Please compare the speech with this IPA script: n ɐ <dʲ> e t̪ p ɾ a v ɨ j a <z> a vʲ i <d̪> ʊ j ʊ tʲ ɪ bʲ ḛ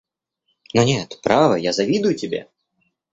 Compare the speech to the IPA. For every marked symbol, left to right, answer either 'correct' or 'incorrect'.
incorrect: nʲ, correct, correct

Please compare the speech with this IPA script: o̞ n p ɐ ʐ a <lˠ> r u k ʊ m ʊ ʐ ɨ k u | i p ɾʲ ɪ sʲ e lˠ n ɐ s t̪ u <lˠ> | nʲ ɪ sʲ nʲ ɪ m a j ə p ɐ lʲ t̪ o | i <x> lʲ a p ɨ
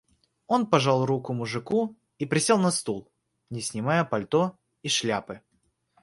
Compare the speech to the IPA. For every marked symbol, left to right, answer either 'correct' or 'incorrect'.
correct, correct, incorrect: ʂ

